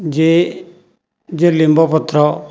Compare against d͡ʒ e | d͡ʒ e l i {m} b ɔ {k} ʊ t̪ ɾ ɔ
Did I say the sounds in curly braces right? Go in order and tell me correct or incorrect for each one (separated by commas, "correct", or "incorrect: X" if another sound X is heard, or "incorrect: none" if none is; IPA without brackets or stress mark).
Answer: correct, incorrect: p